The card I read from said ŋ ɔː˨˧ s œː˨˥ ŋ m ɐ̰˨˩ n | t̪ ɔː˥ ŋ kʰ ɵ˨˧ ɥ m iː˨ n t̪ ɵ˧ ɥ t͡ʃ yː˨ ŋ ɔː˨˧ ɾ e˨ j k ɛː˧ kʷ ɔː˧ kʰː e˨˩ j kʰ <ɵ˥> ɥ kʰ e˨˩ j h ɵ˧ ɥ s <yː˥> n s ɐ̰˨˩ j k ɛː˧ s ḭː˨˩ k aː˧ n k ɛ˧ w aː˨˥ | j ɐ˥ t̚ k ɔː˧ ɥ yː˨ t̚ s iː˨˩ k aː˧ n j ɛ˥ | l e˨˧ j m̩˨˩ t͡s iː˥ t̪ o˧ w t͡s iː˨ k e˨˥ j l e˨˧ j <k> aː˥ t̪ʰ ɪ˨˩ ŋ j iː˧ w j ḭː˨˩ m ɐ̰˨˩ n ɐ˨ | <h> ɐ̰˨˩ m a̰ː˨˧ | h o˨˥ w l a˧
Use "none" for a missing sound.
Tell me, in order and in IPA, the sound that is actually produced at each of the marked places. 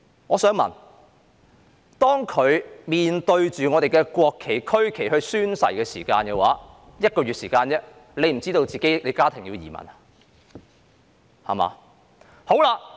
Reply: ɵ˥, yː˥, k, h

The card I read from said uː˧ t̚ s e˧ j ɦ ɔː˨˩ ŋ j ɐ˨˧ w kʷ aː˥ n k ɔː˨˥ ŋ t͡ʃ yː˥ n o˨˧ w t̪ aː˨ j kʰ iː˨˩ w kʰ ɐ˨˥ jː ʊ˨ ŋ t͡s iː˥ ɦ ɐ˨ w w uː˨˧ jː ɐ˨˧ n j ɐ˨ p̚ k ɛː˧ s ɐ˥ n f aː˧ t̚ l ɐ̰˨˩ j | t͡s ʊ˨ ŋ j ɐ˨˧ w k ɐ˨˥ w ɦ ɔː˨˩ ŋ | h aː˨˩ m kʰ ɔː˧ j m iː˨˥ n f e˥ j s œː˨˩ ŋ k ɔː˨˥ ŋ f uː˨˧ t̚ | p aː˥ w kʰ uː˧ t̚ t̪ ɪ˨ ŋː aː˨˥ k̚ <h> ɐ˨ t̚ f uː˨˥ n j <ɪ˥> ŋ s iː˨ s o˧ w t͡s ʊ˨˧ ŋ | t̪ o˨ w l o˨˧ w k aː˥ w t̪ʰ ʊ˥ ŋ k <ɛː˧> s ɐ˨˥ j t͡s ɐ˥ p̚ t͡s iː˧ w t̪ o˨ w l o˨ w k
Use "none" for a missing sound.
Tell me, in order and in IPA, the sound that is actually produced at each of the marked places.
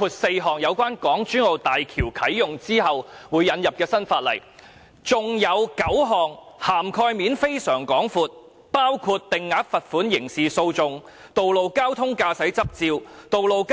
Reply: f, ɪ˨˩, aː˧

